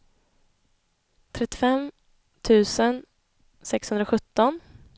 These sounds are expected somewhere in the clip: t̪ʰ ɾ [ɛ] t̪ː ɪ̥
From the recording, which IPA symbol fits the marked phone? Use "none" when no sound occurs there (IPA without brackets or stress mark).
ɛ